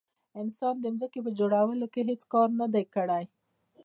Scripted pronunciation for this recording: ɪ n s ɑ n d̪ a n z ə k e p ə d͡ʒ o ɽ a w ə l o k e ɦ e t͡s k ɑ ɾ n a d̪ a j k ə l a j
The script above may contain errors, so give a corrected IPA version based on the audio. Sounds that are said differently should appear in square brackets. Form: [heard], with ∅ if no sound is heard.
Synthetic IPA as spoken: ɪ n s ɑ n d̪ [ə] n z ə k e p ə d͡ʒ o ɽ a w ə l o k e ɦ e t͡s k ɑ ɾ n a d̪ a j k ə [ɽ] a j